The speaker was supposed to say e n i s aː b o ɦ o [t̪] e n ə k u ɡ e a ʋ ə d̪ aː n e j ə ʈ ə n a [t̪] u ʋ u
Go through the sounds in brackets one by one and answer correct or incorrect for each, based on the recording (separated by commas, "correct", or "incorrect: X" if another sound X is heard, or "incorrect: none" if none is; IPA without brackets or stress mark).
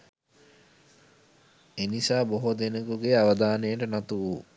incorrect: d̪, correct